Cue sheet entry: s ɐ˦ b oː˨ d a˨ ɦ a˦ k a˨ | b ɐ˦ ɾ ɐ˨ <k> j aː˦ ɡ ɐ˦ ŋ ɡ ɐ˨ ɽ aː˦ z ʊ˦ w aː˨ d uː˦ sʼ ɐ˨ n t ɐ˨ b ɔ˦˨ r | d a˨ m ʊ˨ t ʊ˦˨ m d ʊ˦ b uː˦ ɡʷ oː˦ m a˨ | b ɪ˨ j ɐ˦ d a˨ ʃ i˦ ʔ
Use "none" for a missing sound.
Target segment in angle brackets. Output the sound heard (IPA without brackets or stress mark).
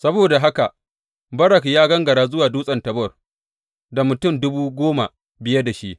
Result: k